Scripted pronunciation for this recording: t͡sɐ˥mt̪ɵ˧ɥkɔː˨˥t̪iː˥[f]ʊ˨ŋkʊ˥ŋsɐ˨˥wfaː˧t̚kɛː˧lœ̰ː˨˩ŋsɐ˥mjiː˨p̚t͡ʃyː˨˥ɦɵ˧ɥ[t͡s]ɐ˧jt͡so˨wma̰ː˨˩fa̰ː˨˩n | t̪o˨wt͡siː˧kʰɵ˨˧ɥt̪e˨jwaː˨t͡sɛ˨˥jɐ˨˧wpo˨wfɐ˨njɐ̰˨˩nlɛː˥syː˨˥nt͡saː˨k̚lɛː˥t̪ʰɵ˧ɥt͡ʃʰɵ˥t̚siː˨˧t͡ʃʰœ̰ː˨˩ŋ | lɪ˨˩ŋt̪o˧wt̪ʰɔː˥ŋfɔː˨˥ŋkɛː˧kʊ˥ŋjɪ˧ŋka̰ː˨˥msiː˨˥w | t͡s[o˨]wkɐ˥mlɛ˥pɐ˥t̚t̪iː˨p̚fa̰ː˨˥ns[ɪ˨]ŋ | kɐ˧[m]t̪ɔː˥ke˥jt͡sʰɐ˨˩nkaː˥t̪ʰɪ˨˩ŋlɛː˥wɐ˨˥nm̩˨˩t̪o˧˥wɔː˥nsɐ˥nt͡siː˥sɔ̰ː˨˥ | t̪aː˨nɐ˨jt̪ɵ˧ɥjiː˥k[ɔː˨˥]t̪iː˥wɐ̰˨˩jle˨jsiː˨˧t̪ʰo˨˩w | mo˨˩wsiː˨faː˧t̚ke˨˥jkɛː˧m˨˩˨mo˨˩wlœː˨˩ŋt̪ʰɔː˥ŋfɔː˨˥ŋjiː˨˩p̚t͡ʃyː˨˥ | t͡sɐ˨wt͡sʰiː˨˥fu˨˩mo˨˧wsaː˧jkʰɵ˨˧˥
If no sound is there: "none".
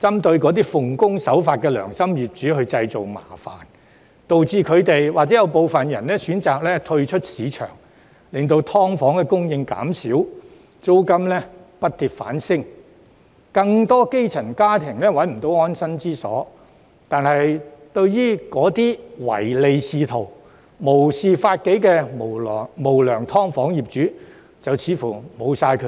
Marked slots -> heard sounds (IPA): f, t͡s, o˥, ɪ˥, ŋ, ɔː˨˥

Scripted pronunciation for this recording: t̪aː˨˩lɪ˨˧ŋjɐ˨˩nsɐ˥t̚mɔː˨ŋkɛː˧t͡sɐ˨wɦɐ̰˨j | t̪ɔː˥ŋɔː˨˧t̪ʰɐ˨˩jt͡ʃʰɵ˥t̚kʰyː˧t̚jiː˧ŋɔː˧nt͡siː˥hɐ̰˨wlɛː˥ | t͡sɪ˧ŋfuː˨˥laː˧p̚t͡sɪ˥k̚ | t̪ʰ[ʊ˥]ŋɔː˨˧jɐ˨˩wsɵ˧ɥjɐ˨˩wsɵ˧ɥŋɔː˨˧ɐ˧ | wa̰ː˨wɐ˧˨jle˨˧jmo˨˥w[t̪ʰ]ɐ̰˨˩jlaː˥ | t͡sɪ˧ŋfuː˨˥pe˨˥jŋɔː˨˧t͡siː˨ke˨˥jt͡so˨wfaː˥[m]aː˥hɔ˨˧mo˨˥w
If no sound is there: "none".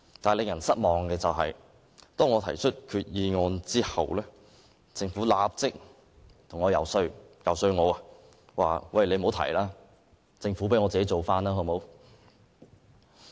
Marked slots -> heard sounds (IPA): ʊ˨˩, t̪ʰ, n

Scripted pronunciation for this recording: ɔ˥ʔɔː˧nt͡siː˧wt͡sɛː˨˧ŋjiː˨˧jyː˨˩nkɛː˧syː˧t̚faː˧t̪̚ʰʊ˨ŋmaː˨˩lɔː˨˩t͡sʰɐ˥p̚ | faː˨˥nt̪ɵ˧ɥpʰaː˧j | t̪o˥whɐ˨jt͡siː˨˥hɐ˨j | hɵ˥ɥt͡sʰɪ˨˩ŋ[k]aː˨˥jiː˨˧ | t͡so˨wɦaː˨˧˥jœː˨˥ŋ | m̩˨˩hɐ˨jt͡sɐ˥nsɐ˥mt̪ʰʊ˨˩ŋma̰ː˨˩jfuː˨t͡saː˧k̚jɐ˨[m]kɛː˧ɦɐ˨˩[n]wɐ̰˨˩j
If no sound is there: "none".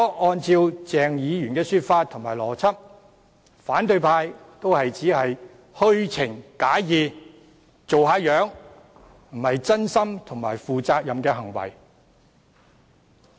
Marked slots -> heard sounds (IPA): k, m, ŋ

